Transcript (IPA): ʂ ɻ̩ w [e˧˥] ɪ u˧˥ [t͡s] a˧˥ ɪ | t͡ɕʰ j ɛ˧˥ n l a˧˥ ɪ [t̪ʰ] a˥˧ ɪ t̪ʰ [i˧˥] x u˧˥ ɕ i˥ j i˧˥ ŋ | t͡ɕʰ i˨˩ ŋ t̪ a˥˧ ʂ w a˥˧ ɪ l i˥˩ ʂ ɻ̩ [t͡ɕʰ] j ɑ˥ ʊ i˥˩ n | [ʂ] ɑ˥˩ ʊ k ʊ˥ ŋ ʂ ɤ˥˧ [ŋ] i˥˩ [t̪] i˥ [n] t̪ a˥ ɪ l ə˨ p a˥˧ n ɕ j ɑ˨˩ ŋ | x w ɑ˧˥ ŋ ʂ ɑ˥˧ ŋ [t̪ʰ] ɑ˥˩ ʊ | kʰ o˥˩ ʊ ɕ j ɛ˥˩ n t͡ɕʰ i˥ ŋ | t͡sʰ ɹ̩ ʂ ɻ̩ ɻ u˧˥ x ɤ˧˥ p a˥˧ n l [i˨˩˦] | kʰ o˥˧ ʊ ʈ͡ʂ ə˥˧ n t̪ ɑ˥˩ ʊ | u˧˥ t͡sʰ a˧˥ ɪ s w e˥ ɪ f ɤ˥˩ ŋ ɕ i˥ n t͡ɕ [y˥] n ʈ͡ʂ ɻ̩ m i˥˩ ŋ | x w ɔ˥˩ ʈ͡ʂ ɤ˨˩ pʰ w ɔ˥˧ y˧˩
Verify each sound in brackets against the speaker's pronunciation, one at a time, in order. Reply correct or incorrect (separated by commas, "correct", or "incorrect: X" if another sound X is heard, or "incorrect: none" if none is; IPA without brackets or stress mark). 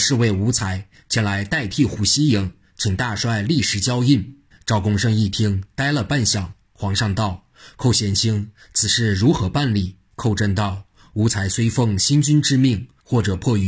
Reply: incorrect: e˥˩, incorrect: t͡sʰ, incorrect: t̪, incorrect: i˥˩, incorrect: t͡ɕ, incorrect: ʈ͡ʂ, correct, incorrect: t̪ʰ, incorrect: ŋ, incorrect: t̪, incorrect: i˥˩, correct